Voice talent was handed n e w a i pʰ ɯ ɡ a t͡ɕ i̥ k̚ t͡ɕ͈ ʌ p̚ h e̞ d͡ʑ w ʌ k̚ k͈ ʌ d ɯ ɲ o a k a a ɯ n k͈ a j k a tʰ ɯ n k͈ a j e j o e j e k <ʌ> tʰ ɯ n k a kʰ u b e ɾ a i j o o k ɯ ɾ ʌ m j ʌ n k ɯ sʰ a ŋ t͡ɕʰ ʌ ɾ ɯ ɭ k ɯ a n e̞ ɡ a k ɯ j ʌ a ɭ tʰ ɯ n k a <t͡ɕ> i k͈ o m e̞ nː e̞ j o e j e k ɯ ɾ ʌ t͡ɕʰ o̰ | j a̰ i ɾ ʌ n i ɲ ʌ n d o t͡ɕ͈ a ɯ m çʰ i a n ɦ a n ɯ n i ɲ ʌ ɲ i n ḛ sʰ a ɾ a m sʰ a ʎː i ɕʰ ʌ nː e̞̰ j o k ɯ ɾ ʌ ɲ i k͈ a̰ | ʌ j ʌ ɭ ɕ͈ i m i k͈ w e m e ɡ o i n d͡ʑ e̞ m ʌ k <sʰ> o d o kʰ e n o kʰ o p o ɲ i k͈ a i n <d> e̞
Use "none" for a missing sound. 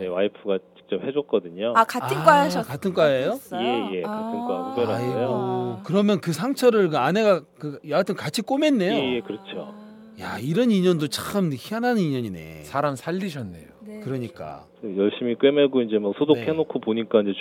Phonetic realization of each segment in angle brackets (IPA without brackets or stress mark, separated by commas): a, t͡ɕʰ, sʰ, d͡ʑ